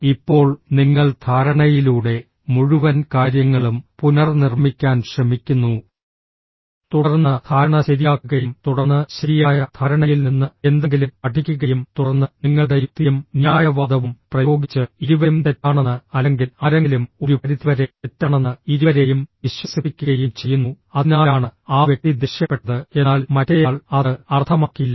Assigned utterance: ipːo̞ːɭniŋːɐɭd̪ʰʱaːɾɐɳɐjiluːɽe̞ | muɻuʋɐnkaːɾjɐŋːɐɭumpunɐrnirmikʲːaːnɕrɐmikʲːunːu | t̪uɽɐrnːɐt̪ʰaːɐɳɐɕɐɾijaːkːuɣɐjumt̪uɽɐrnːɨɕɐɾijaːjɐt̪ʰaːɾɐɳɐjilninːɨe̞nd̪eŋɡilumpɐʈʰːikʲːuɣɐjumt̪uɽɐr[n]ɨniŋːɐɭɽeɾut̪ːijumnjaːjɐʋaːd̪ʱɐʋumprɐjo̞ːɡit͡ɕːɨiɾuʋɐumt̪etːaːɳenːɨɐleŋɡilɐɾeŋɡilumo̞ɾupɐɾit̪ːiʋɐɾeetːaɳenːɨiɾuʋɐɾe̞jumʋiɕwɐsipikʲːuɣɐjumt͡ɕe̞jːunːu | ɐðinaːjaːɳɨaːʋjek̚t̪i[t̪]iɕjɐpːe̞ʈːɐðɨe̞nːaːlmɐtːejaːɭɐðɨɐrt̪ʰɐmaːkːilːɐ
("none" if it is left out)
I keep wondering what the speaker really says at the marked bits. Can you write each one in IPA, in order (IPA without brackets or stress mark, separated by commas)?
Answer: nː, d̪